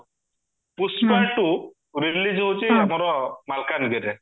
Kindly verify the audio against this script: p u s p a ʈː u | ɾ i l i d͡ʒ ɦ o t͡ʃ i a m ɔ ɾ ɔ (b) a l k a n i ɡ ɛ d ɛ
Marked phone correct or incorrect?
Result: incorrect